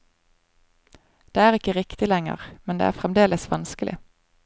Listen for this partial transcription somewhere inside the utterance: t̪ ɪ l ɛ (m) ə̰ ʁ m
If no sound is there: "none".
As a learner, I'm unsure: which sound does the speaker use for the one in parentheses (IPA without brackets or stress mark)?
ŋ